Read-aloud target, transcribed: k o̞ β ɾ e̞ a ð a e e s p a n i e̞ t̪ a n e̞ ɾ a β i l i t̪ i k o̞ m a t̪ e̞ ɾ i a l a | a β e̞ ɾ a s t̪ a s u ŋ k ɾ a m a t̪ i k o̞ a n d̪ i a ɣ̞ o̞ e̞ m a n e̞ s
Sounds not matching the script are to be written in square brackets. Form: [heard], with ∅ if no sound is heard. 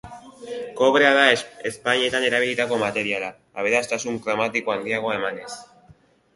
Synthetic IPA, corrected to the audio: k o̞ β ɾ e̞ a ð a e e s p a [ɲ] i e̞ t̪ a n e̞ ɾ a β i l i t̪ [a] k o̞ m a t̪ e̞ ɾ i a l a | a β e̞ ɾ a s t̪ a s u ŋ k ɾ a m a t̪ i k o̞ a n d̪ i a ɣ̞ o̞ e̞ m a n e̞ s

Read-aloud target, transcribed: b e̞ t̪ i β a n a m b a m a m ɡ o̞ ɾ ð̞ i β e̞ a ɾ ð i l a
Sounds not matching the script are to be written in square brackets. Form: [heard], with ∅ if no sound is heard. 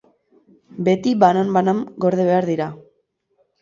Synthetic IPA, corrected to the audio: b e̞ t̪ i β a n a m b a [n] a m ɡ o̞ ɾ ð̞ [e] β e̞ a ɾ ð i [ɾ] a

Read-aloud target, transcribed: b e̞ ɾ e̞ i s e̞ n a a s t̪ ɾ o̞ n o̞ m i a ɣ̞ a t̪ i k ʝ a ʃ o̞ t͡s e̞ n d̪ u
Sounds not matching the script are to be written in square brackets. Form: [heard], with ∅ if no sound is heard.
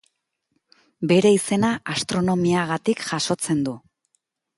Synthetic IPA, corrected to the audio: b e̞ ɾ e̞ i s e̞ n a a s t̪ ɾ o̞ n o̞ m i a ɣ̞ a t̪ i k ʝ a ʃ o̞ t͡s e̞ n d̪ u

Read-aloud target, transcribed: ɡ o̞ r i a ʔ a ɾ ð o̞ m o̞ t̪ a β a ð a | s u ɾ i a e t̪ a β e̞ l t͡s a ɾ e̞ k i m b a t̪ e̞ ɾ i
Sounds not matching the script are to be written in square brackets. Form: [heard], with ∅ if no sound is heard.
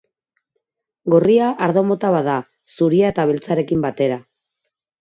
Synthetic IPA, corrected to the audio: ɡ o̞ r i a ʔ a ɾ ð o̞ m o̞ t̪ a β a ð a | s u ɾ i a e t̪ a β e̞ l t͡s a ɾ e̞ k i m b a t̪ e̞ ɾ [a]

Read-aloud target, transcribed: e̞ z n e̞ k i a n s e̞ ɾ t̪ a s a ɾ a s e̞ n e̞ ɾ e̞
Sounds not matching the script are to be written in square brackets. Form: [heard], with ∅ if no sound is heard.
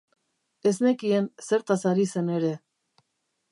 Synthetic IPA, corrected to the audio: e̞ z n e̞ k i [e] n s e̞ ɾ t̪ a s a ɾ [i] s e̞ n e̞ ɾ e̞

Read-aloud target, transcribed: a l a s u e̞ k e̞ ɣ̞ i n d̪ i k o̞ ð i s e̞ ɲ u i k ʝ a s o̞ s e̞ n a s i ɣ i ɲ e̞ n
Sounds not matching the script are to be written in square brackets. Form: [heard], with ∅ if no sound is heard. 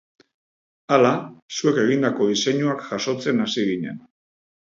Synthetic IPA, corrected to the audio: a l a s u e̞ k e̞ ɣ̞ i n d̪ [a] k o̞ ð i s e̞ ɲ u [a] k ʝ a s o̞ [t͡s] e̞ n a s i ɣ i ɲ e̞ n

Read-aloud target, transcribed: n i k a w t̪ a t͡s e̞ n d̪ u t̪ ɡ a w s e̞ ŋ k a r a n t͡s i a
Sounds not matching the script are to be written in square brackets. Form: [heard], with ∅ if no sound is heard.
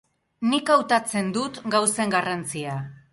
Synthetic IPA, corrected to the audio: n i k a w t̪ a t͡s e̞ n d̪ u t̪ ɡ a w s e̞ ŋ [ɡ] a r a n t͡s i a

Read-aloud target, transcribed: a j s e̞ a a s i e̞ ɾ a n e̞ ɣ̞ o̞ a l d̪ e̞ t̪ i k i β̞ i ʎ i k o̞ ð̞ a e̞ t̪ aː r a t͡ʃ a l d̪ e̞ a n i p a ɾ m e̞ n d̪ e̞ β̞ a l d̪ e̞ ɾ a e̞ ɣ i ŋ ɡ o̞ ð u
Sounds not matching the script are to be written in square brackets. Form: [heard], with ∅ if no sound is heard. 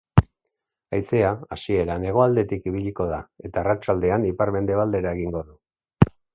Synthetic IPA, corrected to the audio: a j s e̞ a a s i e̞ ɾ a n e̞ ɣ̞ o̞ a l d̪ e̞ t̪ i k i β̞ i ʎ i k o̞ ð̞ a e̞ t̪ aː r a t͡ʃ a l d̪ e̞ a n i p a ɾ m e̞ n d̪ e̞ β̞ a l d̪ e̞ ɾ a e̞ ɣ i ŋ ɡ o̞ ð u

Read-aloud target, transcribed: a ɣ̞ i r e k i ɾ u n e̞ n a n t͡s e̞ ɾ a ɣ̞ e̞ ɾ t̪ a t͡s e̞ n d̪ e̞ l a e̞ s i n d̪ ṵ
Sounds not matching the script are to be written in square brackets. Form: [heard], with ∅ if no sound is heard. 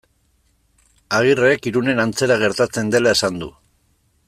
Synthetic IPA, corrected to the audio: a ɣ̞ i r e k i ɾ u n e̞ n a n t͡s e̞ ɾ a ɣ̞ e̞ ɾ t̪ a t͡s e̞ n d̪ e̞ l a e̞ s [a] n d̪ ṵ

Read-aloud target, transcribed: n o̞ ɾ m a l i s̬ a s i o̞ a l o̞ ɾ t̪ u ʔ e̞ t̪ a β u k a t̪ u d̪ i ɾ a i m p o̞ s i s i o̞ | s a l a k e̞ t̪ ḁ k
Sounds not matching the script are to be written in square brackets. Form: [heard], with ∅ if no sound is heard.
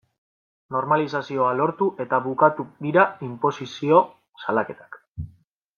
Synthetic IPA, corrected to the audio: n o̞ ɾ m a l i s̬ a s i o̞ a l o̞ ɾ t̪ u ʔ e̞ t̪ a β u k a t̪ u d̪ i ɾ a i m p o̞ s i s i o̞ | s a l a k e̞ t̪ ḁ k

